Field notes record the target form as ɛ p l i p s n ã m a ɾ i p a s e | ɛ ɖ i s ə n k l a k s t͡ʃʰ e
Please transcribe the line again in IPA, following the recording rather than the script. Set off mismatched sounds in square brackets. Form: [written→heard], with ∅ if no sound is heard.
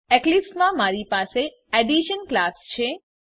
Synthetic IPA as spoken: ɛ [p→k] l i p s [n→m] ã m a ɾ i p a s e | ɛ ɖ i [s→ʃ] ə n k l a [k→∅] s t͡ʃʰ e